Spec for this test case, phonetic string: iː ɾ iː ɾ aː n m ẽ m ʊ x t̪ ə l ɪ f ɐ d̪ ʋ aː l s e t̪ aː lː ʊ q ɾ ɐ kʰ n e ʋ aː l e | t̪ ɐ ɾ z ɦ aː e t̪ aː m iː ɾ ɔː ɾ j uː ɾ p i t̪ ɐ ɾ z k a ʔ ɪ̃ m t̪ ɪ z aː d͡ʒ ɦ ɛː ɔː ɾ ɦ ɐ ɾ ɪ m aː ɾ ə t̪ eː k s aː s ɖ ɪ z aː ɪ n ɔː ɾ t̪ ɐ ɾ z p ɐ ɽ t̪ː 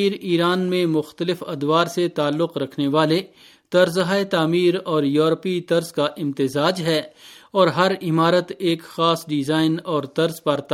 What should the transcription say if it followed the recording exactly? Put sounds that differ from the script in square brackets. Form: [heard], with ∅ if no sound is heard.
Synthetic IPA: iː ɾ iː ɾ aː n m ẽ m ʊ x t̪ ə l ɪ f ɐ d̪ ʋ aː [ɾ] s e t̪ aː lː ʊ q ɾ ɐ kʰ n e ʋ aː l e | t̪ ɐ ɾ z ɦ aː e t̪ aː m iː ɾ ɔː ɾ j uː ɾ p i t̪ ɐ ɾ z k a ʔ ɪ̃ m t̪ ɪ z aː d͡ʒ ɦ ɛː ɔː ɾ ɦ ɐ ɾ ɪ m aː ɾ ə t̪ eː k [x] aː s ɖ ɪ z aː ɪ n ɔː ɾ t̪ ɐ ɾ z p ɐ [ɾ] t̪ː